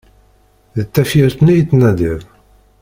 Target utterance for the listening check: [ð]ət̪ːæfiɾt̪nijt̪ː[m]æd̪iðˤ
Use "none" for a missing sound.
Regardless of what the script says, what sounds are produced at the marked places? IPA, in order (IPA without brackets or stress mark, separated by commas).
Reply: ð, n